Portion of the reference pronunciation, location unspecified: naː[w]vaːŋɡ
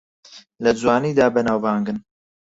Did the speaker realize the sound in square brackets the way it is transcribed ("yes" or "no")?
yes